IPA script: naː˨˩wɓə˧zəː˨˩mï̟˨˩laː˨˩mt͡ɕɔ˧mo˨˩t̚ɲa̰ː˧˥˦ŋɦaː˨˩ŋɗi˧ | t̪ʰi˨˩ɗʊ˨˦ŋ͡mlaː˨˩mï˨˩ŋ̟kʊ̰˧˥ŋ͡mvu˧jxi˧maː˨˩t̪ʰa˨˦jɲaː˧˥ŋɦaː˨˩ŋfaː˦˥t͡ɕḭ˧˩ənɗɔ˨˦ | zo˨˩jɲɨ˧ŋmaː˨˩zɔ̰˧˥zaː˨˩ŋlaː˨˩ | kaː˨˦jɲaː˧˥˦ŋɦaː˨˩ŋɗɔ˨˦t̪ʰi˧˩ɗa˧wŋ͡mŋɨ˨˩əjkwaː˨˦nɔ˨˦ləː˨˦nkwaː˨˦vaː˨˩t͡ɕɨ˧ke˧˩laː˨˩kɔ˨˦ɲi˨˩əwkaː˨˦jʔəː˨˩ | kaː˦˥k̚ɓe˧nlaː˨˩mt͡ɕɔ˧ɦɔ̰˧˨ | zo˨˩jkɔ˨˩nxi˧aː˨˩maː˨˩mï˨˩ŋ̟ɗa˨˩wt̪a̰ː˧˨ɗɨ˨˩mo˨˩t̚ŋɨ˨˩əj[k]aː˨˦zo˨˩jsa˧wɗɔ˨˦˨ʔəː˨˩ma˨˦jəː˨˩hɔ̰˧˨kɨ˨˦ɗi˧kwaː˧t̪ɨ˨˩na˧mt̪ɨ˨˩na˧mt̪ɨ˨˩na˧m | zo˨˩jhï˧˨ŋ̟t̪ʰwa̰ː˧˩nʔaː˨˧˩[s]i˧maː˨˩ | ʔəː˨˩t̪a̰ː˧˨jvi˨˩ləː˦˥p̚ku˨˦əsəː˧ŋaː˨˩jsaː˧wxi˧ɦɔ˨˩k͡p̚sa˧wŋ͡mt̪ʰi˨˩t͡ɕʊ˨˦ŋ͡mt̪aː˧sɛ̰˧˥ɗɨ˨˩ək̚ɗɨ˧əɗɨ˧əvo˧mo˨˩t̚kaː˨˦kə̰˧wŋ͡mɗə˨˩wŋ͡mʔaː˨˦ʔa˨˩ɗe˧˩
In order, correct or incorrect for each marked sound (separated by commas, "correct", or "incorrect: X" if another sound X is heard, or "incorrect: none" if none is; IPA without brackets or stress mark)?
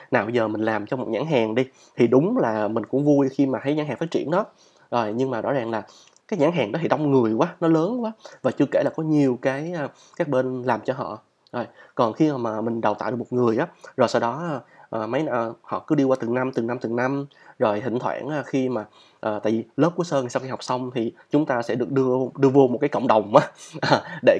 incorrect: ʔ, incorrect: x